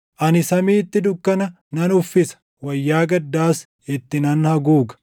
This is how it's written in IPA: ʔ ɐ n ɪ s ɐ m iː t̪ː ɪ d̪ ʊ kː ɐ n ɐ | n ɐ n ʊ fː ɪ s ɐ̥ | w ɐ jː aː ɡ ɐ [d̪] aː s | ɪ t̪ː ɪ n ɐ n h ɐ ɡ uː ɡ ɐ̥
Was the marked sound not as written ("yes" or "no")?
yes